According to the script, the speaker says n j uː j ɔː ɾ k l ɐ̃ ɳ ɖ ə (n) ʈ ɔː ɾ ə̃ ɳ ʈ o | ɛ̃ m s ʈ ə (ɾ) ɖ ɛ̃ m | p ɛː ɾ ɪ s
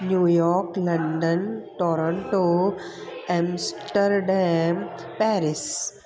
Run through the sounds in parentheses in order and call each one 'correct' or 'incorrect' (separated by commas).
correct, correct